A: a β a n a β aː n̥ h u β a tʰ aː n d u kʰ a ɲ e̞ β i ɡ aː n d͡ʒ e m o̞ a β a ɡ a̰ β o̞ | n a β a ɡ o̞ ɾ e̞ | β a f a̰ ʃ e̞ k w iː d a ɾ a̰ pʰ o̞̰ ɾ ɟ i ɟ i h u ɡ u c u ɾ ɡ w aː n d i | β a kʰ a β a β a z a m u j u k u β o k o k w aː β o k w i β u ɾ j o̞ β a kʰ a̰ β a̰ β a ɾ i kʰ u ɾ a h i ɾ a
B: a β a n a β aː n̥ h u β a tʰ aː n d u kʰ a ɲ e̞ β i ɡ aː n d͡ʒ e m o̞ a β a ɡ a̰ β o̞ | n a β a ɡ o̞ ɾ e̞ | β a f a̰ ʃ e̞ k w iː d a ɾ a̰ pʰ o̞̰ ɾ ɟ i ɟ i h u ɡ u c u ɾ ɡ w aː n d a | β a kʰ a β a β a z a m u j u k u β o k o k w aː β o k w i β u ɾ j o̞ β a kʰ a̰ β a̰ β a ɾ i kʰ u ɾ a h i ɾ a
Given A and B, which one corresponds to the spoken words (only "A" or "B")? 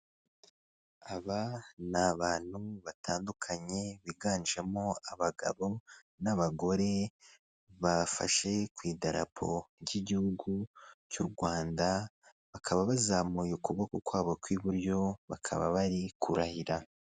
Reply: B